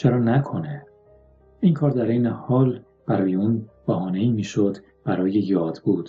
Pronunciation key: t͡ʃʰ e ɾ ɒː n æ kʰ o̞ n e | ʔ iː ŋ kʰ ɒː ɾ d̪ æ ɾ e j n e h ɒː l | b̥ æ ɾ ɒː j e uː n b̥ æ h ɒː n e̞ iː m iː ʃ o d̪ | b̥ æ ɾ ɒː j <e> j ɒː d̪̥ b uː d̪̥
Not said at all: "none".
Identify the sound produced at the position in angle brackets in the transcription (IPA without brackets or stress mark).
e